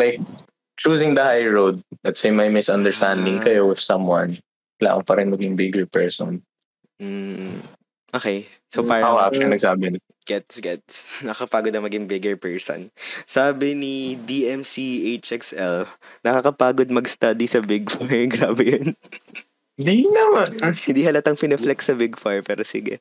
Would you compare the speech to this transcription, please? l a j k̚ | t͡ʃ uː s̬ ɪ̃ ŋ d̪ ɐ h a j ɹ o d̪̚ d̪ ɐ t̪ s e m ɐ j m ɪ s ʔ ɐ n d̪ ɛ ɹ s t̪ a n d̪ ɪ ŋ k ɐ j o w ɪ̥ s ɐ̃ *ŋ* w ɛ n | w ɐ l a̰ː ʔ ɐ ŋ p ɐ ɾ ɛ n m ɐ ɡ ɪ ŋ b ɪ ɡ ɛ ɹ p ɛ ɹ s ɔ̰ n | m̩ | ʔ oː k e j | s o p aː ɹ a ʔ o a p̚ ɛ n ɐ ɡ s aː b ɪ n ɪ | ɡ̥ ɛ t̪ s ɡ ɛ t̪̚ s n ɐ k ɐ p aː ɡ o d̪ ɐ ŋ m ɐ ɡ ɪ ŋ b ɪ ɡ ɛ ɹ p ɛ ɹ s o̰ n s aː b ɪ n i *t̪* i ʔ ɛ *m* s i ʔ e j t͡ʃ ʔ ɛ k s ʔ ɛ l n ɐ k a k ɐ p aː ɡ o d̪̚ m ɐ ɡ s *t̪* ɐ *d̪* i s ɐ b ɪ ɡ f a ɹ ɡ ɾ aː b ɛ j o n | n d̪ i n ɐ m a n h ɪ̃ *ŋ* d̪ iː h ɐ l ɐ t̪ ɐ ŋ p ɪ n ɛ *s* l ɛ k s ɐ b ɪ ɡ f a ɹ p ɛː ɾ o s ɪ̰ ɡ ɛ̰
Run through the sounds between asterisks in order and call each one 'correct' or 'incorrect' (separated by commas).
incorrect, incorrect, correct, correct, correct, incorrect, incorrect